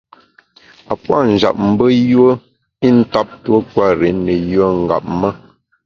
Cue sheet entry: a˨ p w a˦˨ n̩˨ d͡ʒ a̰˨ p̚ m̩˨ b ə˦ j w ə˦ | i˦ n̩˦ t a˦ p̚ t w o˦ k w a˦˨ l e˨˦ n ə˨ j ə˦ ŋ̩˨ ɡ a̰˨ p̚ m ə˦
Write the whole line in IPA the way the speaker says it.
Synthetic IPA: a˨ p w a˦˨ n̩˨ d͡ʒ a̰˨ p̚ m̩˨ b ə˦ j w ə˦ | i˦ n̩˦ t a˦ p̚ t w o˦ k w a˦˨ ɾ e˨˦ n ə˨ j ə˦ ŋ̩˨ ɡ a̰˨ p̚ m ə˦